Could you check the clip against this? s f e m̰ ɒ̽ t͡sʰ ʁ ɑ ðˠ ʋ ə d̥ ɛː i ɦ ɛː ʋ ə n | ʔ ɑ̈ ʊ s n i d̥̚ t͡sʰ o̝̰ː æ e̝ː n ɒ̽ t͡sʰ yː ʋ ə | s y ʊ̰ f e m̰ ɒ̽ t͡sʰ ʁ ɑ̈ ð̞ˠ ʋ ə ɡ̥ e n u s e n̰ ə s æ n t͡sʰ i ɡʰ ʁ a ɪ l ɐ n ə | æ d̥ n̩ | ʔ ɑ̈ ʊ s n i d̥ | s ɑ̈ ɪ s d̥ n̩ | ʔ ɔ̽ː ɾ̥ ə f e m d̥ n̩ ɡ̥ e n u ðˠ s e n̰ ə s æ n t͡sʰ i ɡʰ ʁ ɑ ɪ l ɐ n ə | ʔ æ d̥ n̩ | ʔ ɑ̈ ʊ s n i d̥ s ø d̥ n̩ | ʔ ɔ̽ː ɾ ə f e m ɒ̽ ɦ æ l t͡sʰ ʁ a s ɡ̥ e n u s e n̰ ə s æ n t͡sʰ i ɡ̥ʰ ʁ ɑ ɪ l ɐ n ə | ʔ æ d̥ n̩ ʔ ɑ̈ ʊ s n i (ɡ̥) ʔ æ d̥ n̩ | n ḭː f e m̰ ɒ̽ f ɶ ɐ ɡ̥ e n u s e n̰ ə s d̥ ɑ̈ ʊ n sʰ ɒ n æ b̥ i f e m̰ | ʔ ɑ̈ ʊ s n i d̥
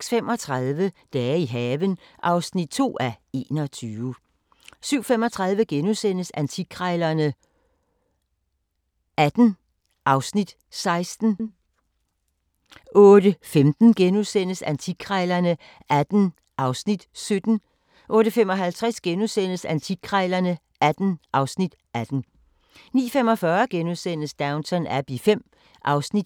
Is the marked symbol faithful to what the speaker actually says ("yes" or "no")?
no